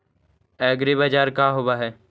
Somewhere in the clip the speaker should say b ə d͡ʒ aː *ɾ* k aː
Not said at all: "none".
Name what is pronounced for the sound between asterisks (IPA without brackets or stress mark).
ɾ